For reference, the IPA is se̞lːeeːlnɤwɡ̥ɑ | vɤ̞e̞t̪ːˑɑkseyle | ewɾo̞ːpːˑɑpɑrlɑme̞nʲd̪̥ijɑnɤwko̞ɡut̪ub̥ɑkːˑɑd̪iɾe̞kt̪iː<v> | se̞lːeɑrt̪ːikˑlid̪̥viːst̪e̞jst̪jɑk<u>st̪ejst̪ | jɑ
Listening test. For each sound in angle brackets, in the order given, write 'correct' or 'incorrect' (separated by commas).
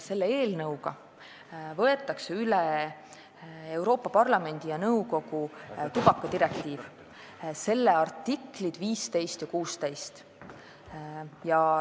correct, incorrect